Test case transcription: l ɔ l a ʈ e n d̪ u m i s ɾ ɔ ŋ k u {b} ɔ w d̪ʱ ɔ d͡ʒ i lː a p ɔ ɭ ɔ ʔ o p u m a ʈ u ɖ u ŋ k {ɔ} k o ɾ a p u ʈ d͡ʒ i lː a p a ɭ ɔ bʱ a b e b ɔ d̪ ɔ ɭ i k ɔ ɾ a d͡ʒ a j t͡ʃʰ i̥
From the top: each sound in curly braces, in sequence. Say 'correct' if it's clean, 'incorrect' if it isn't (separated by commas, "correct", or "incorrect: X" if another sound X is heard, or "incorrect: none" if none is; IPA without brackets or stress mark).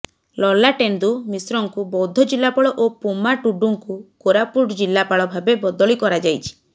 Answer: correct, incorrect: u